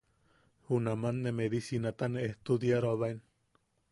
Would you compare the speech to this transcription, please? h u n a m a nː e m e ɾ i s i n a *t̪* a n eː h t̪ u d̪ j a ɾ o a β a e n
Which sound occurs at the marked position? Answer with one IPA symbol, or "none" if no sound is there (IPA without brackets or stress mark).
t̪